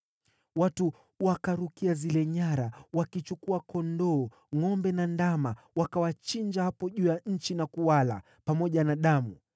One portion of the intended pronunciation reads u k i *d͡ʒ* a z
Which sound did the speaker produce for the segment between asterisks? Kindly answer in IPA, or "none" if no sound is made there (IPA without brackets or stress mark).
none